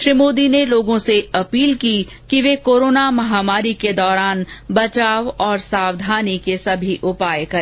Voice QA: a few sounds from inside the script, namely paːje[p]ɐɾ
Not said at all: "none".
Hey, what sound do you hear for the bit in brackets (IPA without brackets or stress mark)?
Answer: k